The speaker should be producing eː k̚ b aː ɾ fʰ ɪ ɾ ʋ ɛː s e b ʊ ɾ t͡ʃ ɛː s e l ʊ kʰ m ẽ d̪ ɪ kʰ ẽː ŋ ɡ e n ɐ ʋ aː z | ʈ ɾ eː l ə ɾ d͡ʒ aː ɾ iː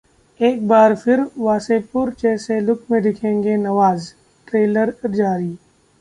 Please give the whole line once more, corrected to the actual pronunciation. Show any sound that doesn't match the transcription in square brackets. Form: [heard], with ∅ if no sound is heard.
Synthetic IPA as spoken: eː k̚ b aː ɾ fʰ ɪ ɾ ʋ [aː] s e [p] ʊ ɾ t͡ʃ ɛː s e l ʊ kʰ m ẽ d̪ ɪ kʰ ẽː ŋ ɡ e n ɐ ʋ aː z | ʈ ɾ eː l ə ɾ d͡ʒ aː ɾ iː

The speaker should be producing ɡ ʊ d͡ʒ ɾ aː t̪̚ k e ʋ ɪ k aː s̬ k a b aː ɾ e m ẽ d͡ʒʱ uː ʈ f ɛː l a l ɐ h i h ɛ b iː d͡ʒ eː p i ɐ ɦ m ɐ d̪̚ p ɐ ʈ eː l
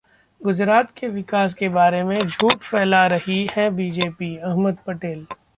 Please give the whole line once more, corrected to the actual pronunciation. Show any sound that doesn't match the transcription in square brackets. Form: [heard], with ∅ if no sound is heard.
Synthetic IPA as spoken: ɡ ʊ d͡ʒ ɾ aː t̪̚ k e ʋ ɪ k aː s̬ k [e] b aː ɾ e m ẽ d͡ʒʱ uː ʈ f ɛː l a [ɾ] ɐ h i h ɛ b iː d͡ʒ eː p i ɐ ɦ m [ə] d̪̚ p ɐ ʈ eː l

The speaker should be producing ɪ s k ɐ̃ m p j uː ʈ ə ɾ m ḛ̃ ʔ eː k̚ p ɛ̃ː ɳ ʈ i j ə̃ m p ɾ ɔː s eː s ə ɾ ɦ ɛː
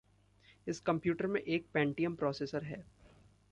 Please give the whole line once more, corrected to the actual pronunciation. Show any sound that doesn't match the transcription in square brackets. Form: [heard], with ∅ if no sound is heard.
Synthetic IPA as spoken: ɪ s k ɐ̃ m p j uː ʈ ə ɾ m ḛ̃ ʔ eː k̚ p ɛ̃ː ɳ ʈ i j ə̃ m p ɾ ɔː s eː s ə ɾ ɦ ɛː

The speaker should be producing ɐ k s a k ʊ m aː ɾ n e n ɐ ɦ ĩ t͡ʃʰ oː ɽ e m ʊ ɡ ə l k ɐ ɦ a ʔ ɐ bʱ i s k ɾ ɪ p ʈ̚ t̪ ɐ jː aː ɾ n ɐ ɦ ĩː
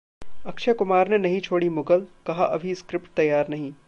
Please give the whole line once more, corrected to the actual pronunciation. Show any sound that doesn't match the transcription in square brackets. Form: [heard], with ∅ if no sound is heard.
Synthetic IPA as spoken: ɐ k [ʃ] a k ʊ m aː ɾ n e n ɐ ɦ ĩ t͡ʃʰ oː ɽ [i] m ʊ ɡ ə l k ɐ ɦ a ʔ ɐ bʱ i s k ɾ ɪ p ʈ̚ t̪ ɐ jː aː ɾ n ɐ ɦ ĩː

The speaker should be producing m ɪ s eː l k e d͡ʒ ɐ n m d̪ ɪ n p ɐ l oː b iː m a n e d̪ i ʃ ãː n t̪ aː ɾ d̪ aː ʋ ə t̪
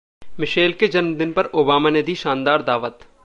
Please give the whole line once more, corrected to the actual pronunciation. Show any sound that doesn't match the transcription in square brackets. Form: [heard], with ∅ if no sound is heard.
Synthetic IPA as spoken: m ɪ [ʃ] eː l k e d͡ʒ ɐ n m d̪ ɪ n p ɐ [ɾ] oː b [aː] m a n e d̪ i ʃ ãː n [d̪] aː ɾ d̪ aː ʋ ə t̪

